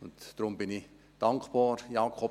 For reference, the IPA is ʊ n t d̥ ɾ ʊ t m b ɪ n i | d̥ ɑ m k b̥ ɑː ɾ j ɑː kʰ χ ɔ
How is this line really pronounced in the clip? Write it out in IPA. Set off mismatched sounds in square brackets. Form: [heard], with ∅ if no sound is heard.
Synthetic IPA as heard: ʊ n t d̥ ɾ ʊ [∅] m b ɪ n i | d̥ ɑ [ŋ] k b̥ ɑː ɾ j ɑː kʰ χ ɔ